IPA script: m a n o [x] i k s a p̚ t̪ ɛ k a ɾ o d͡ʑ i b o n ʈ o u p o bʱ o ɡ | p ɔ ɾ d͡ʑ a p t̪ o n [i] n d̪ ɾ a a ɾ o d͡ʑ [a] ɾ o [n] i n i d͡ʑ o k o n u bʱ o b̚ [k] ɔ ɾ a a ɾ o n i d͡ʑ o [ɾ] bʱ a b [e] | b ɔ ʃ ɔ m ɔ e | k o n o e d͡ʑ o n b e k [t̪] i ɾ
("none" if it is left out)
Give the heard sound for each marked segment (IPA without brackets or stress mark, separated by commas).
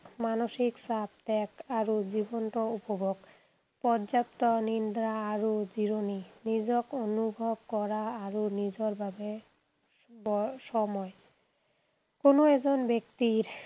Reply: ʃ, i, i, n, k, ɾ, e, t̪